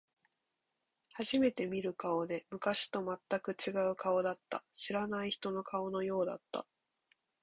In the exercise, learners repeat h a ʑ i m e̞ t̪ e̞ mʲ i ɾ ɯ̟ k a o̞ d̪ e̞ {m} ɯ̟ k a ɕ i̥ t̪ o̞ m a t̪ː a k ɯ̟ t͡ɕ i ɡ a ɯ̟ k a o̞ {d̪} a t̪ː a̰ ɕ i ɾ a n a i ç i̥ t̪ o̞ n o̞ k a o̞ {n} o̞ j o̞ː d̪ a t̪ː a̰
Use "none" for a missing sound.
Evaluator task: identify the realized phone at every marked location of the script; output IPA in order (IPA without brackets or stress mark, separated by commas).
m, d̪, n